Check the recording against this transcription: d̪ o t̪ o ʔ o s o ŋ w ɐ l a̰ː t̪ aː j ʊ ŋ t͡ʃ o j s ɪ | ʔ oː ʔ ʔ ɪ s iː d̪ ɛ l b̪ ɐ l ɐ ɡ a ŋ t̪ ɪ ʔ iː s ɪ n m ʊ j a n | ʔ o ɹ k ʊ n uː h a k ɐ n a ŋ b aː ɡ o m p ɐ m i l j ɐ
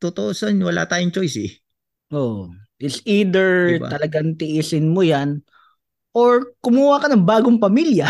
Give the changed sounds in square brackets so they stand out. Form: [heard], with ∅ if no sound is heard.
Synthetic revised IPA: [t̪] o t̪ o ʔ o s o [n] w ɐ l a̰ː t̪ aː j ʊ ŋ t͡ʃ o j s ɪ | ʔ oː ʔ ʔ ɪ s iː d̪ ɛ [ɹ] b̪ ɐ l ɐ ɡ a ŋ t̪ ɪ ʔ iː s ɪ n m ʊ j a n | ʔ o ɹ k ʊ [m] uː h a k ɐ n [ɐ] ŋ b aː ɡ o [ŋ] p ɐ m i l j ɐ